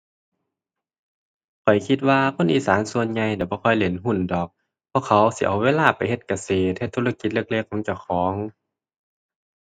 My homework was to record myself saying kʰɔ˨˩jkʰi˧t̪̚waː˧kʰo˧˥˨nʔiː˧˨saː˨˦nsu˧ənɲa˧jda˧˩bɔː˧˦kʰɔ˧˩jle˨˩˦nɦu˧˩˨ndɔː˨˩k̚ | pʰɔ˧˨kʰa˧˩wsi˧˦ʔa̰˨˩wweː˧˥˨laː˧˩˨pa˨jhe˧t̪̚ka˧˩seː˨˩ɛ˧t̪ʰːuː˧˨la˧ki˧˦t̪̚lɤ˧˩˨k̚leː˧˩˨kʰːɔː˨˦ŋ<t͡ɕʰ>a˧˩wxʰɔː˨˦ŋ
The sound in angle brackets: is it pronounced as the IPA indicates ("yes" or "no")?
no